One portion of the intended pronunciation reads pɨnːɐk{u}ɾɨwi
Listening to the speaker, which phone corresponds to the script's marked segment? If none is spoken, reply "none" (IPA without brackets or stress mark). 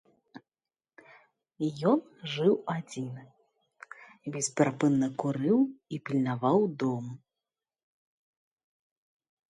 u